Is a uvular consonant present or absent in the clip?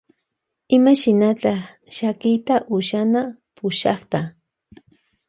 present